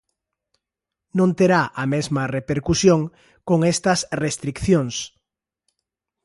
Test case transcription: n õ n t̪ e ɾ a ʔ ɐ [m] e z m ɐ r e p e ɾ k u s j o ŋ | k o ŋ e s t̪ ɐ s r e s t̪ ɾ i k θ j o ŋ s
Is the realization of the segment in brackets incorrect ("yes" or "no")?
no